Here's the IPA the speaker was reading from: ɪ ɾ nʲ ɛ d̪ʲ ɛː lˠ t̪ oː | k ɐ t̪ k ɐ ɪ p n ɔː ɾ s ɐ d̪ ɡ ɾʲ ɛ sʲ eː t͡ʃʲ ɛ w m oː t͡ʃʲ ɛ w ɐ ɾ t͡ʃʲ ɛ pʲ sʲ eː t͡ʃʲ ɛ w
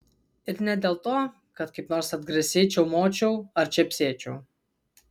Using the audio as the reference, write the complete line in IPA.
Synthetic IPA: ɪ ɾ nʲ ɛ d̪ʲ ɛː lˠ t̪ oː | k ɐ t̪ k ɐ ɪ p n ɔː ɾ s ɐ d̪ ɡ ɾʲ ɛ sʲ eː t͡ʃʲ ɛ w m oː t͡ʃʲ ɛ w ɐ ɾ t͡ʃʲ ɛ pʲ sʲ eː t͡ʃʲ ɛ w